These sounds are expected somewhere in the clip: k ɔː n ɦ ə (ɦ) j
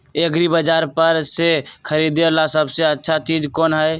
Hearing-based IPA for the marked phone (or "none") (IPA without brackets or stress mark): none